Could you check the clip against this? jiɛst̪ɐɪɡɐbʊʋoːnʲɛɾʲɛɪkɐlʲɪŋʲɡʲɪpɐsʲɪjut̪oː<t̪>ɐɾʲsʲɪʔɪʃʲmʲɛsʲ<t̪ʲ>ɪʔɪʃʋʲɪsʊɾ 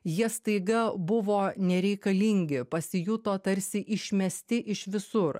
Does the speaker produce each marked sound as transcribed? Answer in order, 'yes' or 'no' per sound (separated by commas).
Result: yes, yes